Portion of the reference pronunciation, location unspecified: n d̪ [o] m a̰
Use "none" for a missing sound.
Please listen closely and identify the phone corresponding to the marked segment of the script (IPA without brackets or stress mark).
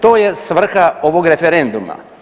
u